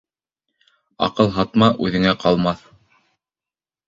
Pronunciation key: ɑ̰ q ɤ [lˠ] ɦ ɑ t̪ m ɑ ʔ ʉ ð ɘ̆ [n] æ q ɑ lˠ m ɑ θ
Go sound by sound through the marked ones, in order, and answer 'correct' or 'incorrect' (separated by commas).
correct, incorrect